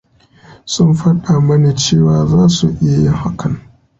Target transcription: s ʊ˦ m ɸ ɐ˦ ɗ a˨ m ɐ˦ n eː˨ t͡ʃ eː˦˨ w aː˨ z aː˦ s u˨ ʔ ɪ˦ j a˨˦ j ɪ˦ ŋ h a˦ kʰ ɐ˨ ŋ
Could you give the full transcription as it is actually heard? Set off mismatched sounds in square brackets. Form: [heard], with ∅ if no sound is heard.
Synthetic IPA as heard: s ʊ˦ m ɸ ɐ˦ ɗ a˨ m ɐ˦ n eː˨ t͡ʃ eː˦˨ w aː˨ z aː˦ s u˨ ʔ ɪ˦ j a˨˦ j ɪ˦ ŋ h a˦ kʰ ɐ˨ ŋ